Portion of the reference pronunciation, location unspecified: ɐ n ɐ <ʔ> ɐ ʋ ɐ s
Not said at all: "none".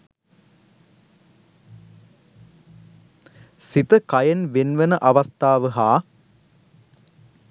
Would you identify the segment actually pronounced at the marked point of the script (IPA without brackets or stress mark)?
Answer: ʔ